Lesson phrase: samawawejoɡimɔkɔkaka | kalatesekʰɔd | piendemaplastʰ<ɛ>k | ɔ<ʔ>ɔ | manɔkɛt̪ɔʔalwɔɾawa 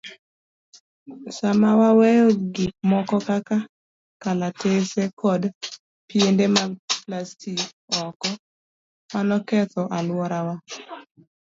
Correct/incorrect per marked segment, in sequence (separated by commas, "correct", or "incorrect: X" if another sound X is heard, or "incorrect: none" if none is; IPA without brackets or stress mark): incorrect: i, incorrect: k